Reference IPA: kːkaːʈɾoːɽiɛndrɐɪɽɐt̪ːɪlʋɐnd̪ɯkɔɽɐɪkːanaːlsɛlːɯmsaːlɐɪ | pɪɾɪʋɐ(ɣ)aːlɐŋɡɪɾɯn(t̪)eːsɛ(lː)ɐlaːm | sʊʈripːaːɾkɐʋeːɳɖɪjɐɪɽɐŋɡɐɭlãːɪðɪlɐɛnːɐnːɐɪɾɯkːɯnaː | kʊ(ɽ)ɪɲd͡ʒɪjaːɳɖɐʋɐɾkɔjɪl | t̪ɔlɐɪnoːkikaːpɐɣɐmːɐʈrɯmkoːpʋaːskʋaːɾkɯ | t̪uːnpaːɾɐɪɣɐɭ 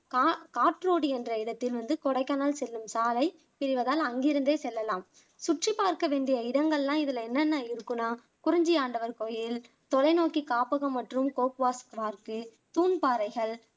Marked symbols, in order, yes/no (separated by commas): no, no, yes, no